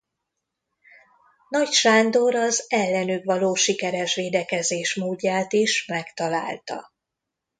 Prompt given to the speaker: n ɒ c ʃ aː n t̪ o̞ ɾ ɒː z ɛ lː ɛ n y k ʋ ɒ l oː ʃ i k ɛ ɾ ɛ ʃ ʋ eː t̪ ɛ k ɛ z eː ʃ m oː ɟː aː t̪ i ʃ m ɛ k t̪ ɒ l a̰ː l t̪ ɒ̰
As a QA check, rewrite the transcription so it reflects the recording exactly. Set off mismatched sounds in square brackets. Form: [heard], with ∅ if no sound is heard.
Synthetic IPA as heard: n ɒ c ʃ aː n [d̪] o̞ ɾ [ɒ] z ɛ lː ɛ n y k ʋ ɒ l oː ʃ i k ɛ ɾ ɛ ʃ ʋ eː [d̪] ɛ k ɛ z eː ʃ m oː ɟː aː t̪ i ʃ m ɛ k t̪ ɒ l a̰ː l t̪ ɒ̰